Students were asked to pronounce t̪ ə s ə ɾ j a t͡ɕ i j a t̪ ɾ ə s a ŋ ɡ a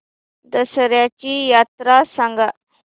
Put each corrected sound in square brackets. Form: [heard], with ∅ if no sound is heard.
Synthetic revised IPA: [d̪] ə s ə ɾ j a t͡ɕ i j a t̪ ɾ [a] s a ŋ ɡ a